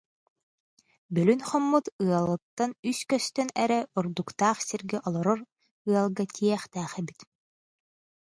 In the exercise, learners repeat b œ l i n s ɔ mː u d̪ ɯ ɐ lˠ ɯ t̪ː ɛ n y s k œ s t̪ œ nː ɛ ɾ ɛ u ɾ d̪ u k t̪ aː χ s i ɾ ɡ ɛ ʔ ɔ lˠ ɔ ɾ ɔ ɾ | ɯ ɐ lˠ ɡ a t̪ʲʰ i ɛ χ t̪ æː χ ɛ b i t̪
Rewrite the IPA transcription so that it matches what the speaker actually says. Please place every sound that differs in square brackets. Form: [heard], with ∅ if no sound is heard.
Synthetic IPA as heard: b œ l [y] n [χ] ɔ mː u [t̪] ɯ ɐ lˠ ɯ t̪ː [a] n y s k œ s t̪ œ [n] ɛ ɾ ɛ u ɾ d̪ u k t̪ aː χ s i ɾ ɡ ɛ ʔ ɔ lˠ ɔ ɾ ɔ ɾ | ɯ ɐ lˠ ɡ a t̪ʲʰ i ɛ χ t̪ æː χ ɛ b i t̪